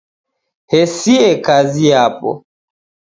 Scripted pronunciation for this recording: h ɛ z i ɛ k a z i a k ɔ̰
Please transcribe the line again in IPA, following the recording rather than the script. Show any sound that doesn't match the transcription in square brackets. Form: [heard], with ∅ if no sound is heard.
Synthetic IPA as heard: h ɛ [s] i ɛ k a z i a [p] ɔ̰